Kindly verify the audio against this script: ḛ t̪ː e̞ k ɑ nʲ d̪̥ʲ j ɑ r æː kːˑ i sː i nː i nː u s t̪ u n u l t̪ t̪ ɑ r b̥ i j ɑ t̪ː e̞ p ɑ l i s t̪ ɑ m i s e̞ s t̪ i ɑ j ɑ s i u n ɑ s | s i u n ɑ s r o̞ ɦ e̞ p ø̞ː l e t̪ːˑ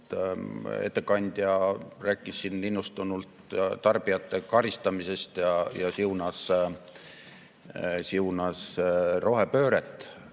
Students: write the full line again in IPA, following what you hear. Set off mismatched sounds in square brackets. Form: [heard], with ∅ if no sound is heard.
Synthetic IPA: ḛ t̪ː e̞ k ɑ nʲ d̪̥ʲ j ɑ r æː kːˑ i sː i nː i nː u s t̪ u n u l t̪ t̪ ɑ r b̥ i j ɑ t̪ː e̞ [k] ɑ [ɾ] i s t̪ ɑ m i s e̞ s t̪ [j] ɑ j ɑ s i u n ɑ s | s i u n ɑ s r o̞ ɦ e̞ p ø̞ː [ɾ] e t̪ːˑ